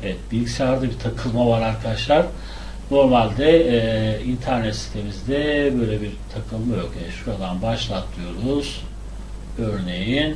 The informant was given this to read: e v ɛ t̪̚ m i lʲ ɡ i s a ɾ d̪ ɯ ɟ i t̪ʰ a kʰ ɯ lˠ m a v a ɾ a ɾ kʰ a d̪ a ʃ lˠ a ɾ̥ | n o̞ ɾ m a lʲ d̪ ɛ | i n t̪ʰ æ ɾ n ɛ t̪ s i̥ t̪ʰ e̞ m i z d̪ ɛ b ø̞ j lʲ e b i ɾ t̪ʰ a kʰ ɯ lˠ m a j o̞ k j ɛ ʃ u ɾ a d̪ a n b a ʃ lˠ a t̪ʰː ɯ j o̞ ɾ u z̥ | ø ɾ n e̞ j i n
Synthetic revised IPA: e v ɛ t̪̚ b i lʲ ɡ i s a ɾ d̪ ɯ b i t̪ʰ a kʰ ɯ lˠ m a v a ɾ a ɾ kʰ a d̪ a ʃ lˠ a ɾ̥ | n o̞ ɾ m a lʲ d̪ ɛ | i n t̪ʰ æ ɾ n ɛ t̪ s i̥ t̪ʰ e̞ m i z d̪ ɛ b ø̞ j lʲ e b i ɾ t̪ʰ a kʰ ɯ lˠ m a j o̞ k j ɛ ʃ u ɾ a d̪ a n b a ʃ lˠ a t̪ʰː ɯ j o̞ ɾ u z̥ | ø ɾ n e̞ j i n